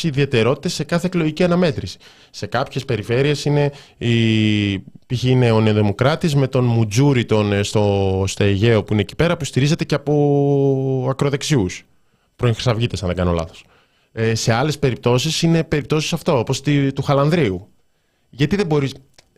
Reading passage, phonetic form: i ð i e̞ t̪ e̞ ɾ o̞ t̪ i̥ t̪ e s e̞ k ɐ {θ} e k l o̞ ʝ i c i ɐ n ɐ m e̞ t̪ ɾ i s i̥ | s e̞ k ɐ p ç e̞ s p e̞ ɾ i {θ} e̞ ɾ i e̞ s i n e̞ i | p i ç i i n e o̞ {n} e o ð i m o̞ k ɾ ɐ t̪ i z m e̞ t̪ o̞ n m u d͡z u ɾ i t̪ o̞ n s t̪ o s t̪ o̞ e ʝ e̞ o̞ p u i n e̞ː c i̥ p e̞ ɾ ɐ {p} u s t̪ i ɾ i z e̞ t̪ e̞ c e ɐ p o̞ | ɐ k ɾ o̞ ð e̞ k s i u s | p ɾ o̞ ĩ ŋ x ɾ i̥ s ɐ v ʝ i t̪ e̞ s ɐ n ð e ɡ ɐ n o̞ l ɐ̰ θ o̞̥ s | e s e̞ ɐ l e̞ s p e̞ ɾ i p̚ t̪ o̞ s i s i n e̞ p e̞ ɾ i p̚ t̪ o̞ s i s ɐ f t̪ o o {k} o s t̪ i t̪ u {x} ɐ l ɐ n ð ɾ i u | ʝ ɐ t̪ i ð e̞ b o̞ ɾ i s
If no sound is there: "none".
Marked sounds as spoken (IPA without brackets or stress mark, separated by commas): θ, f, n, p, p, x